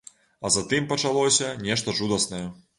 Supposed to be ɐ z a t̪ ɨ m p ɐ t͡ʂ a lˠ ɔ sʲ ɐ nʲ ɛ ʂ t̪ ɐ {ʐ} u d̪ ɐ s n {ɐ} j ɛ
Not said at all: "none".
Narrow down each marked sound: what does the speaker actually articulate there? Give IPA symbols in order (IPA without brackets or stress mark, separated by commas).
ʐ, ɐ